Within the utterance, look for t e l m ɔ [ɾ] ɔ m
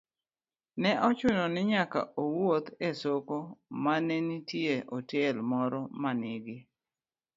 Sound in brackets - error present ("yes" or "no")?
no